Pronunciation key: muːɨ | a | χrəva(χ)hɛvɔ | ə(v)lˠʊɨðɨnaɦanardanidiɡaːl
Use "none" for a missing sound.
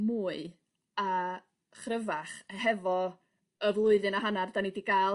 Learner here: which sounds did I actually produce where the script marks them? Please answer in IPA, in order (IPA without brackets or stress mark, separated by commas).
χ, v